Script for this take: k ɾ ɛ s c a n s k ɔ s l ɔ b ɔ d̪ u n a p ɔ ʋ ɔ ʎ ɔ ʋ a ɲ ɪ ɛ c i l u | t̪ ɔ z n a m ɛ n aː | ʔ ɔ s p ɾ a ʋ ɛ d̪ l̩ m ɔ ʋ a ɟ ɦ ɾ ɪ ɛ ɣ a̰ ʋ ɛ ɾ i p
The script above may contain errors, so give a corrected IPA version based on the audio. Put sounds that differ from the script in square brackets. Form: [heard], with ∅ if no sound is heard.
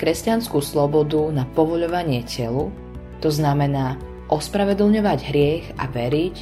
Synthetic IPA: k ɾ ɛ s c a n s k [u] s l ɔ b ɔ d̪ u n a p ɔ ʋ ɔ ʎ ɔ ʋ a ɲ ɪ ɛ c [ɛ] l u | t̪ ɔ z n a m ɛ n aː | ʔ ɔ s p ɾ a ʋ ɛ d̪ l̩ [ɲ] ɔ ʋ a ɟ ɦ ɾ ɪ ɛ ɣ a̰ ʋ ɛ ɾ i [c]